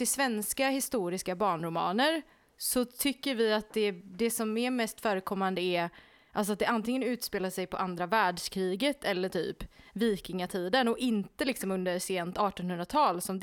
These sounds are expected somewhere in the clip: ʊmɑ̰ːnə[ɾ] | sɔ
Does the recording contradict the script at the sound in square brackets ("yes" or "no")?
no